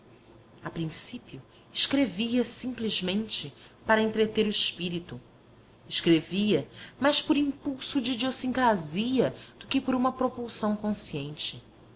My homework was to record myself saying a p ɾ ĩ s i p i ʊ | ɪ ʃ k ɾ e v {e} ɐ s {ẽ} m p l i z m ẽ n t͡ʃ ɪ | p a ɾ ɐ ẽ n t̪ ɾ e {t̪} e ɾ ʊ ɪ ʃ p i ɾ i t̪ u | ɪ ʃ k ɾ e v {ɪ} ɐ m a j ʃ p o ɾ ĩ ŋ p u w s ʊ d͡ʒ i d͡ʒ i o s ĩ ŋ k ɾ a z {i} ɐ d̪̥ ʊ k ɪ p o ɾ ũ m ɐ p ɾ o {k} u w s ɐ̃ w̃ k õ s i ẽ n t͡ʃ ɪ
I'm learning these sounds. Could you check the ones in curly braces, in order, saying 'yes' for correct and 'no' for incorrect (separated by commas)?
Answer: no, no, yes, no, yes, no